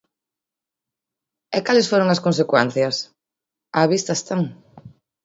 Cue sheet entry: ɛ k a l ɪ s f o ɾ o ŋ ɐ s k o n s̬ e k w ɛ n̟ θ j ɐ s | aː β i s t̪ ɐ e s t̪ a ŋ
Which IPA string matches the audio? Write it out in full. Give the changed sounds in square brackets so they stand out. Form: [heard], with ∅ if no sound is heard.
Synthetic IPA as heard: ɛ k a l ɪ s f o ɾ o ŋ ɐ s k o n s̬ e k w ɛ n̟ θ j ɐ s | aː β i s t̪ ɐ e s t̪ a ŋ